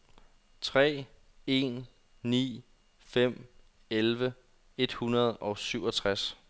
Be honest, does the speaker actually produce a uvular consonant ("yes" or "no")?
yes